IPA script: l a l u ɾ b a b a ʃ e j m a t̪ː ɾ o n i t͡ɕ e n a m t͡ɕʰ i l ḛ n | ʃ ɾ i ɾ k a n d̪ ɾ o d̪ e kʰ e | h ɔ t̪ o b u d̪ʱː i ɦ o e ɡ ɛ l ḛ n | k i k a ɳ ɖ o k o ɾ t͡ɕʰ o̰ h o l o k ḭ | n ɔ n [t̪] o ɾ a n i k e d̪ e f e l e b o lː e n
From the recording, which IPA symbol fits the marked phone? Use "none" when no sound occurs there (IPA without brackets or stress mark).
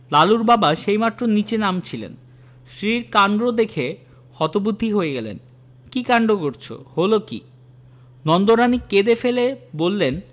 d̪